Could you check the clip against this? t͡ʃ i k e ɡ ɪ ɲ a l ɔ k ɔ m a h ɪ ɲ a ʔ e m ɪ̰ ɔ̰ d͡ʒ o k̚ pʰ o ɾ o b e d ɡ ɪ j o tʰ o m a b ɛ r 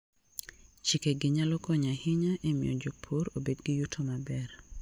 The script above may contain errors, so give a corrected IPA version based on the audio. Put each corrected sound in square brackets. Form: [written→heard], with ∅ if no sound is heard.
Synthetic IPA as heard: t͡ʃ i k e ɡ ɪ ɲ a l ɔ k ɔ [m→ɲ] a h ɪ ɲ a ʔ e m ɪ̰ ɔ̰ d͡ʒ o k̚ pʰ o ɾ o b e d ɡ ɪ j [o→u] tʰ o m a b ɛ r